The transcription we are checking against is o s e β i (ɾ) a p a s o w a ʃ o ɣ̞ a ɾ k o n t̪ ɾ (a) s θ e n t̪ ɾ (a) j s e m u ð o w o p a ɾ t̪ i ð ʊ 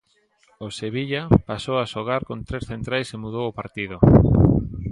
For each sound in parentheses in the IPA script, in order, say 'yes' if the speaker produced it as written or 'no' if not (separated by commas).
no, no, yes